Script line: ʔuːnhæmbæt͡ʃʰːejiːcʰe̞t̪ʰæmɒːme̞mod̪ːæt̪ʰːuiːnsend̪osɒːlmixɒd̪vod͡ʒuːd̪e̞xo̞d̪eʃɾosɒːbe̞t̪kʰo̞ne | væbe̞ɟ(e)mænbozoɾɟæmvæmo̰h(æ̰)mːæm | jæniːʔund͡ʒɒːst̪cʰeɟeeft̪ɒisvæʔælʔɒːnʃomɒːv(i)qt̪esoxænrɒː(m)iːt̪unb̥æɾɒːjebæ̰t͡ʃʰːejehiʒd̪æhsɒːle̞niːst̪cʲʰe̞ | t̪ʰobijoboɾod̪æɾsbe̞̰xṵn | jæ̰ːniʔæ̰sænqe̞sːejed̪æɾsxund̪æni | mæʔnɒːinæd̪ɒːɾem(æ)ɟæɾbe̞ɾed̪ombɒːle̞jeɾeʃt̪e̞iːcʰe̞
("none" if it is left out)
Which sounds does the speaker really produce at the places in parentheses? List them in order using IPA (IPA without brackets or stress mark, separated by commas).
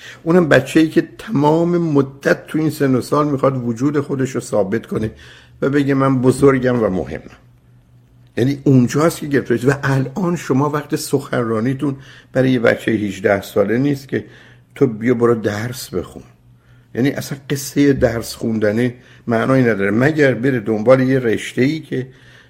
e, ḛ, æ, n, æ